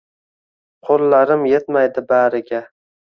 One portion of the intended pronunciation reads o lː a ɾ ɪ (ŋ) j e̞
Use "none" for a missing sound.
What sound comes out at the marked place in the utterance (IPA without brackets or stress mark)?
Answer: m